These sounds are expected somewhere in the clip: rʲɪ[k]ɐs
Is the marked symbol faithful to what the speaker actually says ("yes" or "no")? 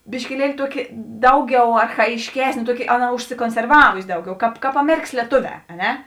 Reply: yes